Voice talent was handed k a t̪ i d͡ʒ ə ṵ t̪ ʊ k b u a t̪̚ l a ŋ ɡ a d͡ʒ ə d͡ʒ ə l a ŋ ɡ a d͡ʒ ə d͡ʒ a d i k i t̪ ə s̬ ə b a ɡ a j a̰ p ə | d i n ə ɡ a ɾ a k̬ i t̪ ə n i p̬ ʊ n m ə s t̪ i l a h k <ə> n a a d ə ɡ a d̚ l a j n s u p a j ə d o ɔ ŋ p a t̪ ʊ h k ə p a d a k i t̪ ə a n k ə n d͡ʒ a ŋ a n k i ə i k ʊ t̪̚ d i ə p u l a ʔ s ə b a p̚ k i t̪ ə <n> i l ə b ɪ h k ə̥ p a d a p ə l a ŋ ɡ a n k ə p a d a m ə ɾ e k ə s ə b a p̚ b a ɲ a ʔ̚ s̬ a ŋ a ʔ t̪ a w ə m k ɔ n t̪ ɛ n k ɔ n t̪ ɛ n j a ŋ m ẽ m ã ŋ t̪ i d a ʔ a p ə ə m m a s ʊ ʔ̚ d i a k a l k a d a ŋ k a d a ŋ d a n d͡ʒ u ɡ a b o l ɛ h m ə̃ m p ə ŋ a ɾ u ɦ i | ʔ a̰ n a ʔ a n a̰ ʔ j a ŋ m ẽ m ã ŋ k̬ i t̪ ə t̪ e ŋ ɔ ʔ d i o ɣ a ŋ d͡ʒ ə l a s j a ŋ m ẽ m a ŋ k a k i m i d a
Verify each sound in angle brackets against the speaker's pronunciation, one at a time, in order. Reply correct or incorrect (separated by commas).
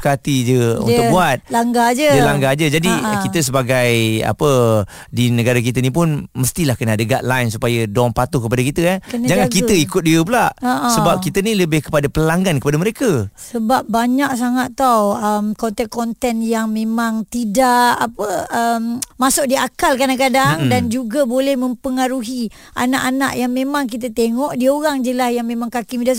correct, correct